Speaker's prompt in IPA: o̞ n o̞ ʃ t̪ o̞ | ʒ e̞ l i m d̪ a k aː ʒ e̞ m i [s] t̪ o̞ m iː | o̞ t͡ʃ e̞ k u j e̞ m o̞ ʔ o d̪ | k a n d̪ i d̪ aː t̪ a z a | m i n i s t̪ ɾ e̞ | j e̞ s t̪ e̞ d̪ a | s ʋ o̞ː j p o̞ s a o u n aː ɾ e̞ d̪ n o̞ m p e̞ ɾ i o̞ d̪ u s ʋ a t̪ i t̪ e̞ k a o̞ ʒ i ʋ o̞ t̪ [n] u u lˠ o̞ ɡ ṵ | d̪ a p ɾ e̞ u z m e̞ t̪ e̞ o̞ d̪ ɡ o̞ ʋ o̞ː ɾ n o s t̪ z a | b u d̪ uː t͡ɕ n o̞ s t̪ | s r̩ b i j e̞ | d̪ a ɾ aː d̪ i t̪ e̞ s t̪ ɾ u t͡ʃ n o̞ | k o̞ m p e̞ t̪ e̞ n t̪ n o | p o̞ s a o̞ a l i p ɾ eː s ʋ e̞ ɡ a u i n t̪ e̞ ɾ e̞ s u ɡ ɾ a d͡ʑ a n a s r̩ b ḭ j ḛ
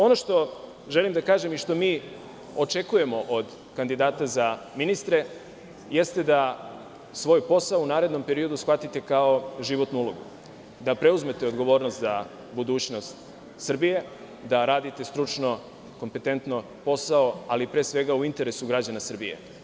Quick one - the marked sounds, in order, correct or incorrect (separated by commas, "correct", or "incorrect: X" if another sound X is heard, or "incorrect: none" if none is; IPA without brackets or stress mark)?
incorrect: ʃ, correct